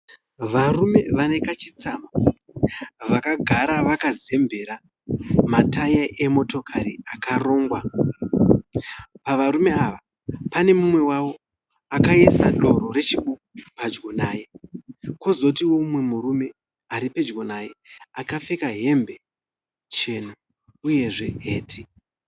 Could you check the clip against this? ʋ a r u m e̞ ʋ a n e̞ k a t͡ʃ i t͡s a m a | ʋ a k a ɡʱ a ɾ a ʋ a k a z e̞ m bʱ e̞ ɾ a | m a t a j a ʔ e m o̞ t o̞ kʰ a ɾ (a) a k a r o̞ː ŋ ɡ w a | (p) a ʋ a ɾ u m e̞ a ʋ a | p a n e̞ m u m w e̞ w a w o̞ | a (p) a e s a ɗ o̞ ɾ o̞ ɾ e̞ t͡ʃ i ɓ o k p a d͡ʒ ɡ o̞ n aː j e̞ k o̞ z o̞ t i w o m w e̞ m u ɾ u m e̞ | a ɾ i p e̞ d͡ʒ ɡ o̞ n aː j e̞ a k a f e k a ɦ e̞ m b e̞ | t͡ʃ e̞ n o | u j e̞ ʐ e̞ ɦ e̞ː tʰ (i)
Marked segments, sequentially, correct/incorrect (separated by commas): incorrect, correct, incorrect, correct